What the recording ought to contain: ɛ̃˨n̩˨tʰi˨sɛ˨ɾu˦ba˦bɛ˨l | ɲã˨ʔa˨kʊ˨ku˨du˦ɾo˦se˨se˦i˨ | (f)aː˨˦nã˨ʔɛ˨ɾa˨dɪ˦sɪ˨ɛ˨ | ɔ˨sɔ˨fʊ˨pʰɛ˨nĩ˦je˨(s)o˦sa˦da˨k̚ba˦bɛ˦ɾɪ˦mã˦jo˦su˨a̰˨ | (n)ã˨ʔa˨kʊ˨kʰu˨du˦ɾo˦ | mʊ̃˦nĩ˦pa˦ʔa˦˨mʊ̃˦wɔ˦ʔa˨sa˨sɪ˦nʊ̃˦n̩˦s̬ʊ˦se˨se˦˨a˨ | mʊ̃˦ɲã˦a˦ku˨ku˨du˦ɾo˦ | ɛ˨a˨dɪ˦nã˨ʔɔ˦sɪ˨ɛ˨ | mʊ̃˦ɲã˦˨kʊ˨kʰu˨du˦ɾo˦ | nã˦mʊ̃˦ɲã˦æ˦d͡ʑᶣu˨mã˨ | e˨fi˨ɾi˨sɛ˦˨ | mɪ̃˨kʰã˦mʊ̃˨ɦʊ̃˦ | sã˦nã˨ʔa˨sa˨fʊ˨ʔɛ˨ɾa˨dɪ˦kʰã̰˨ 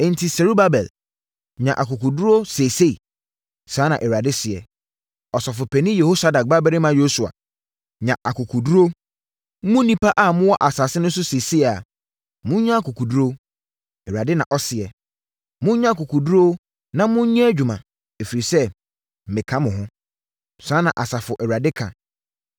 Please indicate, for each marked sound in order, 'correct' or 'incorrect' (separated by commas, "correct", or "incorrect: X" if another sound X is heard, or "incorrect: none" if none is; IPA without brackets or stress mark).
incorrect: s, incorrect: h, incorrect: ɲ